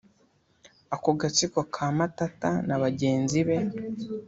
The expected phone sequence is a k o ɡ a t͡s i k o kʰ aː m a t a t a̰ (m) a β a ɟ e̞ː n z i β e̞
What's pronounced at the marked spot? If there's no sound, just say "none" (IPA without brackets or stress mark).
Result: n